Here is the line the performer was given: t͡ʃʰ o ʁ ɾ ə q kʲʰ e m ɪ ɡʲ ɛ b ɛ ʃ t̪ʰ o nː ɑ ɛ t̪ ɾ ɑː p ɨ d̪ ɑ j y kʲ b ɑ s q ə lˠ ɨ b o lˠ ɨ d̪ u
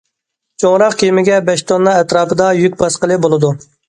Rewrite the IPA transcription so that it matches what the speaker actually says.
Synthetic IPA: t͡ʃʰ o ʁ ɾ ɑ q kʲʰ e m ɪ ɡʲ ɛ b ɛ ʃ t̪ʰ o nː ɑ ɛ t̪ ɾ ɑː p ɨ d̪ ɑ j y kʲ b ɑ s q ə lˠ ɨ b o lˠ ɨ d̪ u